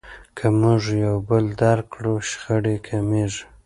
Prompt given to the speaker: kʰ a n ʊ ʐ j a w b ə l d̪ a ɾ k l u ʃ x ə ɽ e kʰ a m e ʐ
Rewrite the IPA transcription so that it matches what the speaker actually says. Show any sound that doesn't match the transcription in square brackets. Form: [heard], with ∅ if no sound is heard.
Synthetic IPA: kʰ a [m] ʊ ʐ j a w b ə l d̪ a ɾ k [ɽ] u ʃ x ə ɽ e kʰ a m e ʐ

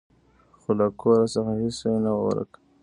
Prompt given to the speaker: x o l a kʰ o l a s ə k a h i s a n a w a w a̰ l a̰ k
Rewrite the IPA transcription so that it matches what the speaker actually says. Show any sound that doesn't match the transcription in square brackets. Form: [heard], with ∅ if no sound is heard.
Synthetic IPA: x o l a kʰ o [ɾ] a s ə [x] a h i s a n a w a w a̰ [ɾ] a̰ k

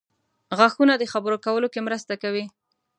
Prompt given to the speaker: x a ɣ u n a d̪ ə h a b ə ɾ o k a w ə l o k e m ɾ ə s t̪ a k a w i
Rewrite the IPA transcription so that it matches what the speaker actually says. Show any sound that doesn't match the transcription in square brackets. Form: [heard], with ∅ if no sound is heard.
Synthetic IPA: [ɣ] a [x] u n a d̪ ə [x] a b ə ɾ o k a w ə l o k e m ɾ ə s t̪ a k a w i

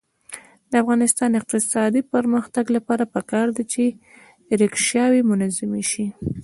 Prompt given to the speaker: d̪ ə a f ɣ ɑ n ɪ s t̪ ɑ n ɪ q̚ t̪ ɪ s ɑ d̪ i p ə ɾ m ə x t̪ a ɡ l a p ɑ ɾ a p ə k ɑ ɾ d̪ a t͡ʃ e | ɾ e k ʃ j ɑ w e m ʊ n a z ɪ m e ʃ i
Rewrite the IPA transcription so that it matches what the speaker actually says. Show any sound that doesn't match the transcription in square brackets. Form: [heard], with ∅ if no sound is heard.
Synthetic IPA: d̪ ə a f ɣ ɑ n ɪ s t̪ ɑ n ɪ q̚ t̪ ɪ s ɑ d̪ i p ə ɾ m ə x t̪ a ɡ l a p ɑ ɾ a p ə k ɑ ɾ d̪ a t͡ʃ e | ɾ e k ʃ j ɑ w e m ʊ n a z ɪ m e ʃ i

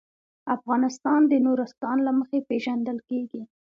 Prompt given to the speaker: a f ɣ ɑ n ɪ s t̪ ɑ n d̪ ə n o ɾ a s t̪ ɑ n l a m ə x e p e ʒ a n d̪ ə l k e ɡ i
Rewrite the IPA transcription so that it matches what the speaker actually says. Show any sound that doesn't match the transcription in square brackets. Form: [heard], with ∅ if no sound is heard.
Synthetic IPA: a f ɣ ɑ n ɪ s t̪ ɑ n d̪ ə n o ɾ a s t̪ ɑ n l a m ə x e p e ʒ a n d̪ ə l k e ɡ i

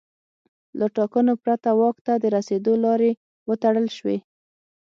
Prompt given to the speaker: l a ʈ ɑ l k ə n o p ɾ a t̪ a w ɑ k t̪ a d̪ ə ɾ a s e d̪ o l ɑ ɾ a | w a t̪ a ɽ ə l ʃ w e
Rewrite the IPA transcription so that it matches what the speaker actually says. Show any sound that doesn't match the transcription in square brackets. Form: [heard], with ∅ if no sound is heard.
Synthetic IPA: l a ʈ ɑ [∅] k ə n o p ɾ a t̪ a w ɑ k t̪ a d̪ ə ɾ a s e d̪ o l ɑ ɾ [e] | w [ə] t̪ a ɽ ə l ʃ w e

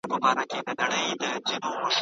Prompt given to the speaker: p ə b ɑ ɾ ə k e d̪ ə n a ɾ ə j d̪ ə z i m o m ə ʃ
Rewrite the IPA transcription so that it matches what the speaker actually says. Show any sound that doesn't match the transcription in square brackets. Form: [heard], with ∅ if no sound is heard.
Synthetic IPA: p ə b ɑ ɾ [a] k e d̪ ə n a [ɽ] ə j d̪ ə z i [n] o m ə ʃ

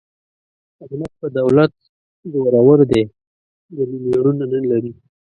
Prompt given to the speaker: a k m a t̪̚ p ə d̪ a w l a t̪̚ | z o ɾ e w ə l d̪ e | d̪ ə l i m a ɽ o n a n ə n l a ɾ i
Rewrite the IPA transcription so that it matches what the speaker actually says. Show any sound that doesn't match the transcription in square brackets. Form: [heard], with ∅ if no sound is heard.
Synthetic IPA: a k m a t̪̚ p ə d̪ a w l a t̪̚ | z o ɾ [a] w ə [ɾ] d̪ e | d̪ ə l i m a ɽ [u] n a n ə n l a ɾ i

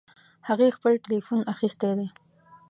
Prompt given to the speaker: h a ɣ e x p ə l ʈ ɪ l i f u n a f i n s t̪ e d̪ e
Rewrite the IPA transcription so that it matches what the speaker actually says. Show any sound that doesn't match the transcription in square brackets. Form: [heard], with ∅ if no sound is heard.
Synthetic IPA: h a ɣ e x p ə l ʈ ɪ l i f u n a [x] i [∅] s t̪ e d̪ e

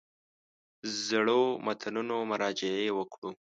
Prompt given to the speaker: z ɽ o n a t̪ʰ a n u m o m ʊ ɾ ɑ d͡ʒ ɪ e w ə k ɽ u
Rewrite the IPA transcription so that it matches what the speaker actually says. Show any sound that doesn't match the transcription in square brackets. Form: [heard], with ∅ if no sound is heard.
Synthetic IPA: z ɽ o [m] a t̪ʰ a n u [n] o m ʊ ɾ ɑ d͡ʒ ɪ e w ə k ɽ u

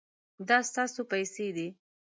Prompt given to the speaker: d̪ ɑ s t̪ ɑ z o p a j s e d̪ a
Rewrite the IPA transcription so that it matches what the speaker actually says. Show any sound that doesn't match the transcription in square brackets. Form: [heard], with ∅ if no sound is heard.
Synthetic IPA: d̪ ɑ s t̪ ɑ [s] o p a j s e d̪ [i]

